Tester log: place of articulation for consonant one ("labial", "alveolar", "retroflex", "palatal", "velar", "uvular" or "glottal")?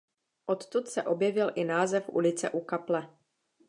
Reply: glottal